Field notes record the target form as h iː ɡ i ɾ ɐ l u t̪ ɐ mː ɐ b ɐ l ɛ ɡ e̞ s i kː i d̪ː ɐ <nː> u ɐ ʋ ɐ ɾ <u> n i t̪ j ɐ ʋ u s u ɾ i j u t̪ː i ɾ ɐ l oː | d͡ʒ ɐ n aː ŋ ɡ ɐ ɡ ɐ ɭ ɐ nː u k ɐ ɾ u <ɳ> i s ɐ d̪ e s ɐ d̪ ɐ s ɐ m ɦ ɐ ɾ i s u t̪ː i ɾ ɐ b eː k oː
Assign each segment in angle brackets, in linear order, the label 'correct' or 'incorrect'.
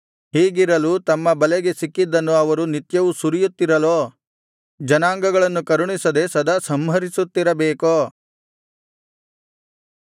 correct, correct, correct

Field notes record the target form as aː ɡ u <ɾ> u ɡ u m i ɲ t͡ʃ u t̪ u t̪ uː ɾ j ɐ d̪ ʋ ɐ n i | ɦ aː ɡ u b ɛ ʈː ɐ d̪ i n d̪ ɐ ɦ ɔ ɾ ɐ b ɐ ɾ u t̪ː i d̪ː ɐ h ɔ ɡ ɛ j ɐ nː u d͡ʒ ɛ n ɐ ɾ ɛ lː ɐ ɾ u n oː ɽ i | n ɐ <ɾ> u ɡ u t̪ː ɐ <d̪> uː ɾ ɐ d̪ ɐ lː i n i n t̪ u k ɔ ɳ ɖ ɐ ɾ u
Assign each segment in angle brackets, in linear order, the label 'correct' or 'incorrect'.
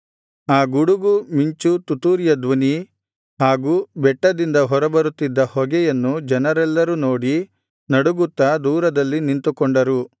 incorrect, incorrect, correct

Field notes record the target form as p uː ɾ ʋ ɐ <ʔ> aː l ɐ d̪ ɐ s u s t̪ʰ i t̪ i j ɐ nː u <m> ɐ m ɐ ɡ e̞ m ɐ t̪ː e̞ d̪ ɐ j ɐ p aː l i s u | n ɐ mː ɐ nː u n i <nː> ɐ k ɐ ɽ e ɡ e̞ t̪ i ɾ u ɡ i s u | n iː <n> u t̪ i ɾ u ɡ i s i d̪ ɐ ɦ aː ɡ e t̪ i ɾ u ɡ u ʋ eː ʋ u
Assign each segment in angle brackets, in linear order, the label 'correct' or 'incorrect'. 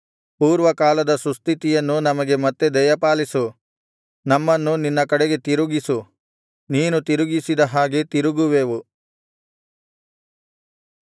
incorrect, incorrect, correct, correct

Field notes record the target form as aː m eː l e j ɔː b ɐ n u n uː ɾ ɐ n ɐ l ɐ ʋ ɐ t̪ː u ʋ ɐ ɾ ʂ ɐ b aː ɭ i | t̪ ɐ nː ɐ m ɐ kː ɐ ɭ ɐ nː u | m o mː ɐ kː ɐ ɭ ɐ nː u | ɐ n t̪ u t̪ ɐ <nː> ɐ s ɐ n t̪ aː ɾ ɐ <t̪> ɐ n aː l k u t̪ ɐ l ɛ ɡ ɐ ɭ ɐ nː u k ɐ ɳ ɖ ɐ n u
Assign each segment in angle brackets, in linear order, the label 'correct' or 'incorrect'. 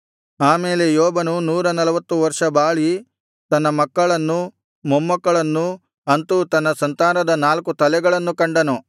correct, incorrect

